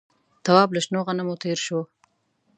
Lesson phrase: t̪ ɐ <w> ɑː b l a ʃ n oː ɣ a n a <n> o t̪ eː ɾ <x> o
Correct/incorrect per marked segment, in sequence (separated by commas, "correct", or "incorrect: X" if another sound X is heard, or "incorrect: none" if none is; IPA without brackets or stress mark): correct, incorrect: m, incorrect: ʃ